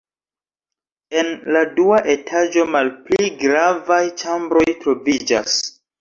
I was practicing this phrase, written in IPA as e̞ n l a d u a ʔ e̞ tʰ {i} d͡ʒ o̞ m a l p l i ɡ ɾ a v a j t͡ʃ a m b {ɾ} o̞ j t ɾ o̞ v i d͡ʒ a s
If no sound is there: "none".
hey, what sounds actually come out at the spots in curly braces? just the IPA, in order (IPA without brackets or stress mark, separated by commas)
a, ɾ